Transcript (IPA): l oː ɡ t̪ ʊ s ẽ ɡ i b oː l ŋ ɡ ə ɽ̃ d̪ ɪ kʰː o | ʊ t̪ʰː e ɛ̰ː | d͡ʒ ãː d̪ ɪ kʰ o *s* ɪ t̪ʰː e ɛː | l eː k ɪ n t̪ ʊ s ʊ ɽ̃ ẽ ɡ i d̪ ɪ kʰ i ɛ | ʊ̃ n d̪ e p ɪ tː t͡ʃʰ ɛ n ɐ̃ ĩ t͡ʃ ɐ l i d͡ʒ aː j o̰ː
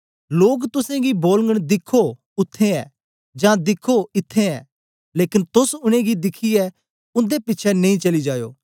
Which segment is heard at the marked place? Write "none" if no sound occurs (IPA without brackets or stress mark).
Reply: none